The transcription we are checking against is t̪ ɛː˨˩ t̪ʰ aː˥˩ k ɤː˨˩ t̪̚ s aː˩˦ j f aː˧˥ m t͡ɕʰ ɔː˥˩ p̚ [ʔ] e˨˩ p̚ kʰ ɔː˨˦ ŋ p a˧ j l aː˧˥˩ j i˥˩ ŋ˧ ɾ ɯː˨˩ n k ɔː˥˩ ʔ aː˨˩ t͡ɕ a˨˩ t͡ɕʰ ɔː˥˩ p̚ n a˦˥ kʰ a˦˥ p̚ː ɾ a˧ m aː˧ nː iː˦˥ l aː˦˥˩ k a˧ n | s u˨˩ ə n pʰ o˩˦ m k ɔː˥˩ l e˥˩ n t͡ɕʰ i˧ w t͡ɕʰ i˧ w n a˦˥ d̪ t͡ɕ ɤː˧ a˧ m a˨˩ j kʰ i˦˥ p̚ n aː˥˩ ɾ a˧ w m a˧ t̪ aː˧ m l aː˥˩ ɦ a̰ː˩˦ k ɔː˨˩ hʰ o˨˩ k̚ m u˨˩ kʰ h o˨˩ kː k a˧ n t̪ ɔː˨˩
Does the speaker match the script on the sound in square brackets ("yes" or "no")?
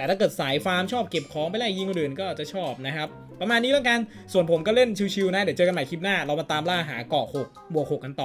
no